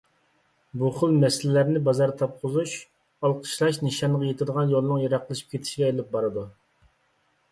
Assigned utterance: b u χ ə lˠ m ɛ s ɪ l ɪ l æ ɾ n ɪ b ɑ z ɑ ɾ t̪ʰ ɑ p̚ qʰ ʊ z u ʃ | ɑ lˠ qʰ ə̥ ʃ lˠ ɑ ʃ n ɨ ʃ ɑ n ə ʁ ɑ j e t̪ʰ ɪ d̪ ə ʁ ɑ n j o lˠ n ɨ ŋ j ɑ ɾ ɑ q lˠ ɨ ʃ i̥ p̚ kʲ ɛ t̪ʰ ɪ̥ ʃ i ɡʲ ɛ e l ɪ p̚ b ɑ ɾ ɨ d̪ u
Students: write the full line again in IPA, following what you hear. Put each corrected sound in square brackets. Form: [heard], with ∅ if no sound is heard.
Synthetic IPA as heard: b u χ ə lˠ m ɛ s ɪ l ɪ l æ ɾ n ɪ b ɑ z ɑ ɾ t̪ʰ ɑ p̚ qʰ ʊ z u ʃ | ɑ lˠ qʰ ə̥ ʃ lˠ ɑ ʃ n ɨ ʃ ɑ n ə ʁ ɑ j e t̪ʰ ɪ d̪ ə ʁ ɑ n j o lˠ n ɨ ŋ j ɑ ɾ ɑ q lˠ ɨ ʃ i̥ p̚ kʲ [e] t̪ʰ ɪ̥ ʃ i ɡʲ ɛ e l ɪ p̚ b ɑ ɾ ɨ d̪ u